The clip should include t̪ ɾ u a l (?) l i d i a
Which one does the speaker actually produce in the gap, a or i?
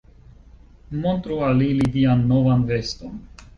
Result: i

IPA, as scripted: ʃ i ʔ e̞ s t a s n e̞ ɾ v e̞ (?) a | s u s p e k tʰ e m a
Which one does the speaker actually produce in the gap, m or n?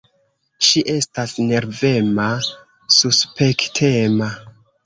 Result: m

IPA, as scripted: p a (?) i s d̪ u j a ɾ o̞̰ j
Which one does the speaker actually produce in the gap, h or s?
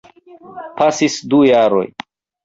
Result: s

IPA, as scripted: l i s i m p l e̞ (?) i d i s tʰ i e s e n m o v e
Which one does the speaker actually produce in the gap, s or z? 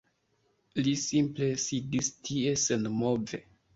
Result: s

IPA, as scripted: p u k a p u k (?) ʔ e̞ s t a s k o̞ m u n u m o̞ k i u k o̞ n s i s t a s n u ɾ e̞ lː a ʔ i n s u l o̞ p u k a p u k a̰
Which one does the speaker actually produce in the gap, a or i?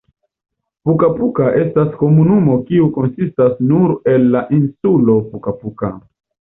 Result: a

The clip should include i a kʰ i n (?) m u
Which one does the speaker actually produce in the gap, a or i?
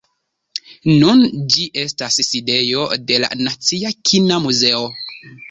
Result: a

